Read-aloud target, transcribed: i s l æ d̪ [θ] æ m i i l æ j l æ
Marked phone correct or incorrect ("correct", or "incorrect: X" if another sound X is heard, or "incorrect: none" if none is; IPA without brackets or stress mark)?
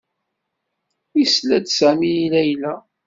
incorrect: s